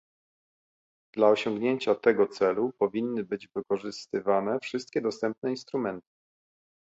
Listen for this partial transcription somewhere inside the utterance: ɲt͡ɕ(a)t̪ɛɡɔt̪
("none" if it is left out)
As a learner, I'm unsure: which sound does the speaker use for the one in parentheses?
a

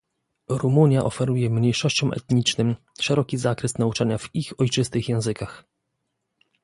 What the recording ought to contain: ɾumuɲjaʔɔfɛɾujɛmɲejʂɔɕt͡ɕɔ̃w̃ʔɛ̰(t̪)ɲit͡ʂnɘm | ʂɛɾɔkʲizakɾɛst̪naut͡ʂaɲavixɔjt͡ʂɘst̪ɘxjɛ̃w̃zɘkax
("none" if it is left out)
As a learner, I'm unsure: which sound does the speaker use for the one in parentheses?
t̪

